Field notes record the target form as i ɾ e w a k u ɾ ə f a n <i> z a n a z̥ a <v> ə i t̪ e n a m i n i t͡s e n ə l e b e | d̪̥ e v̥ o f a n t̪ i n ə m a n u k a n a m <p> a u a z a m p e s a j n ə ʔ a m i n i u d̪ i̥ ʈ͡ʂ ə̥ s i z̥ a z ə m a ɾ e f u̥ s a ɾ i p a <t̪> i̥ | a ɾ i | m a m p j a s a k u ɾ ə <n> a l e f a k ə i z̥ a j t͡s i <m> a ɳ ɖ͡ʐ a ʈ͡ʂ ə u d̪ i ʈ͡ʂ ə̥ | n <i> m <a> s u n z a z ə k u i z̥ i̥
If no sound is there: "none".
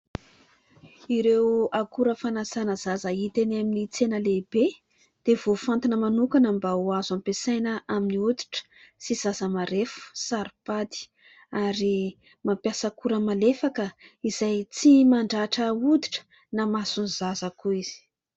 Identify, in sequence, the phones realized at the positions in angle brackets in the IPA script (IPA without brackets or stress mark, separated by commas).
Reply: a, z, b, d̪, m, m, a, a